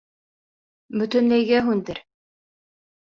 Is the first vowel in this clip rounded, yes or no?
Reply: yes